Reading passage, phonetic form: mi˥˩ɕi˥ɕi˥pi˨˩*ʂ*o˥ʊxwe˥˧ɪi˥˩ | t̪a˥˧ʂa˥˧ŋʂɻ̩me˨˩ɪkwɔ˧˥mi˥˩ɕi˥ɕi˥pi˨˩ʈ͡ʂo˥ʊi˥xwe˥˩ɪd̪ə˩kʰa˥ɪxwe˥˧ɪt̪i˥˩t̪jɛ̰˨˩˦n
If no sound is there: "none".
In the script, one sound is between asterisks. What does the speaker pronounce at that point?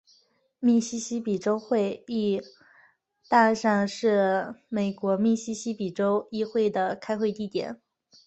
ʈ͡ʂ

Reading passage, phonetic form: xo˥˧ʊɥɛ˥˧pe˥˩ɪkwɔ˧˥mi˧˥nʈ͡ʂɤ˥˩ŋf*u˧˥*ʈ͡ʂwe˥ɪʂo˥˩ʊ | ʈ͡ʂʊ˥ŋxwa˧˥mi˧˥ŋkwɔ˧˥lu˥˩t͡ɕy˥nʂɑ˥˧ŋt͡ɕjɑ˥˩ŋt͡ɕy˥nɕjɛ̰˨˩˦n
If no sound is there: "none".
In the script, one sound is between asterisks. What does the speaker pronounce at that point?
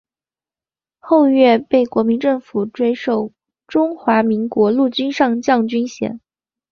u˨˩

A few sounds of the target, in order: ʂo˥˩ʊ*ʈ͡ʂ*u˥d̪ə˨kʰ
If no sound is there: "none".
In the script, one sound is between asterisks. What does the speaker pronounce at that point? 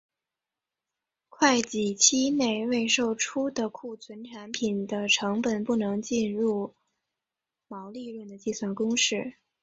ʈ͡ʂʰ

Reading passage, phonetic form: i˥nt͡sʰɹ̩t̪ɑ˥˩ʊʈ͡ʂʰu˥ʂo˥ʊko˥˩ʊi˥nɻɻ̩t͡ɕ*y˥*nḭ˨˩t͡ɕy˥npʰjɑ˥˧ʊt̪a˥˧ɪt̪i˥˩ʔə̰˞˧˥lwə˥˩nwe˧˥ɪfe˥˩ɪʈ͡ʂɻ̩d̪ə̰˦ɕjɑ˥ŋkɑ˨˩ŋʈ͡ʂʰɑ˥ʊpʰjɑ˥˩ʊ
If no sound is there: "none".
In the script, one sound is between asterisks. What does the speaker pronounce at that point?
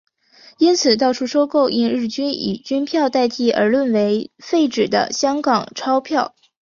y˥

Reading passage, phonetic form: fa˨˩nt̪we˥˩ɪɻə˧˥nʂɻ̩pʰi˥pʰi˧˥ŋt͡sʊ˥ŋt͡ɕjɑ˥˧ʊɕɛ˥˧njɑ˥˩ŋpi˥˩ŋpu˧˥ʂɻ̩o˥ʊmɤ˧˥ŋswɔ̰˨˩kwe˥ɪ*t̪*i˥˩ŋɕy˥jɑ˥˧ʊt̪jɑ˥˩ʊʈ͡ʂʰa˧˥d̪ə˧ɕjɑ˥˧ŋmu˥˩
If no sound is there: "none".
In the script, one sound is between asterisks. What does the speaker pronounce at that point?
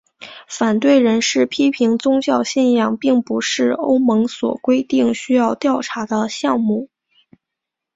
t̪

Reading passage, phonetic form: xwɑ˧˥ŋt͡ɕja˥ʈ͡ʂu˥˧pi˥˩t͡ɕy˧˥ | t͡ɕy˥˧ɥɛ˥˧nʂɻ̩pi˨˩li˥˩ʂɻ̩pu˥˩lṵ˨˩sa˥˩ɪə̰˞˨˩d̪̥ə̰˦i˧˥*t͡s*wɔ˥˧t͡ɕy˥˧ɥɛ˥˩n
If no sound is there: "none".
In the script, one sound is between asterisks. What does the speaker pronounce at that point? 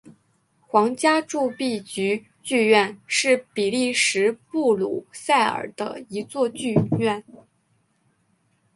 t͡s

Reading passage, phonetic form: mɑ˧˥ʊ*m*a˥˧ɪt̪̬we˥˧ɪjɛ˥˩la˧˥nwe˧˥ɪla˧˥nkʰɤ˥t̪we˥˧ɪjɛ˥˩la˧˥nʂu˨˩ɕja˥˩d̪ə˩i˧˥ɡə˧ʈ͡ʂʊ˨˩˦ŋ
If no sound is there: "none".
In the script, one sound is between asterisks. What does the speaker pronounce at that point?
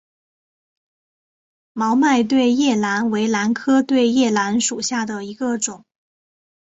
m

